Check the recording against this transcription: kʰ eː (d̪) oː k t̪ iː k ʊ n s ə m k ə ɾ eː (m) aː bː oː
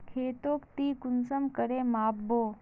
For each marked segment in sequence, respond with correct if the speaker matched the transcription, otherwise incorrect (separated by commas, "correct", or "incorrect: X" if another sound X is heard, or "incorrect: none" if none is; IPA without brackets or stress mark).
incorrect: t̪, correct